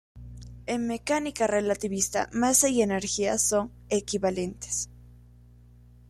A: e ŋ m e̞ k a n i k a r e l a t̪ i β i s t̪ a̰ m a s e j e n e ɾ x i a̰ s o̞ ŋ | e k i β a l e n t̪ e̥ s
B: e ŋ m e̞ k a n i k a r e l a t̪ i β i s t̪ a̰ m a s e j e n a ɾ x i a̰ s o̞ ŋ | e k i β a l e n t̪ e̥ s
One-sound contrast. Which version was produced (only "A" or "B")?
A